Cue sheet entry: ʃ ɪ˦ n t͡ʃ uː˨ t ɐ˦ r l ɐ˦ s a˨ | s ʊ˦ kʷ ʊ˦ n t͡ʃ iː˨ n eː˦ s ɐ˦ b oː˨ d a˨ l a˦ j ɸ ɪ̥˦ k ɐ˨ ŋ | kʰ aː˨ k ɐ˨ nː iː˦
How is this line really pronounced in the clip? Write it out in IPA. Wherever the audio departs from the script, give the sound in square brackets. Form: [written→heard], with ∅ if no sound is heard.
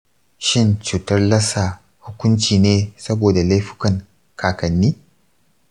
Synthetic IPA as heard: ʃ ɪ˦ n t͡ʃ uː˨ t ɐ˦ r l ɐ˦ s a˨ | [s→h] ʊ˦ kʷ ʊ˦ n t͡ʃ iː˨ n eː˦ s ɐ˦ b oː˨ d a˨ l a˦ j ɸ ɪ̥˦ k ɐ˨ ŋ | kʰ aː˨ k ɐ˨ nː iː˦